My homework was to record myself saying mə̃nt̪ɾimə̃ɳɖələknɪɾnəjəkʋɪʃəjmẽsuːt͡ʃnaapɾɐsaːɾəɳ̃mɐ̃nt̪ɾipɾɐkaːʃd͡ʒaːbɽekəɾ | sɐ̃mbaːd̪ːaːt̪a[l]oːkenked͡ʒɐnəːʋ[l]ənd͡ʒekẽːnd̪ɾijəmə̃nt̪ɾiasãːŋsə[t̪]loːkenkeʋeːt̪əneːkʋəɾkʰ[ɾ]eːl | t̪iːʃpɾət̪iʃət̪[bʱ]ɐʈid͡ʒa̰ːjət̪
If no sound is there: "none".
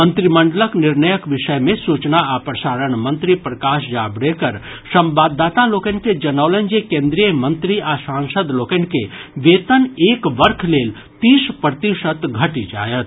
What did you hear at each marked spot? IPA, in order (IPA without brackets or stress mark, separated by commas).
l, l, d̪, l, ɡʱ